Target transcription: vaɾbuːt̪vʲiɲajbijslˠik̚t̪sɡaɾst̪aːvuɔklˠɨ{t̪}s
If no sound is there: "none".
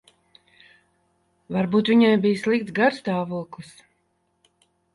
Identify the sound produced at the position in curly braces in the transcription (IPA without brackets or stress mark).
none